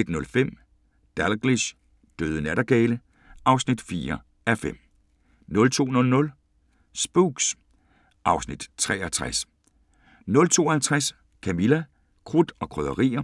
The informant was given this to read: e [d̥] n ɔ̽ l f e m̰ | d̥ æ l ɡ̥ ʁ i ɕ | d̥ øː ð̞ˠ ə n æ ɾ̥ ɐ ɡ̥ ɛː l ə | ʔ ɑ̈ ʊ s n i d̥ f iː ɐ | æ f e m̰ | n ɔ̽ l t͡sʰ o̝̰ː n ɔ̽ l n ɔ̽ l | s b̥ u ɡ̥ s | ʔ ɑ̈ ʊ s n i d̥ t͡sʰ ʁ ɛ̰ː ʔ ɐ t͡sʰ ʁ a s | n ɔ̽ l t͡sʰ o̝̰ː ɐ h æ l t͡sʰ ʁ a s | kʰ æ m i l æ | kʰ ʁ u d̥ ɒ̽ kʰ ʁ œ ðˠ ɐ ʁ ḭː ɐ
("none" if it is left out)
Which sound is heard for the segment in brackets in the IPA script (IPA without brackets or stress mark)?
d̥